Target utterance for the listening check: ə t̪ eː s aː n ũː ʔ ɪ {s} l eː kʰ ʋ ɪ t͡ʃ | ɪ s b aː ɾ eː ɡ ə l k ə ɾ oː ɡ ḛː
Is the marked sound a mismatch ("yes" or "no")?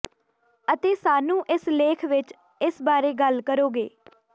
no